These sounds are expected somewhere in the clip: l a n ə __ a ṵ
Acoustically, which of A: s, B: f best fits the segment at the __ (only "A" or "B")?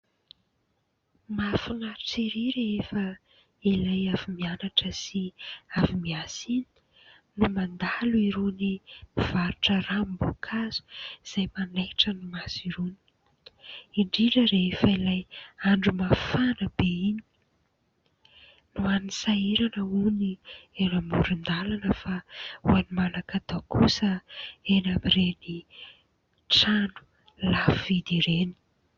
B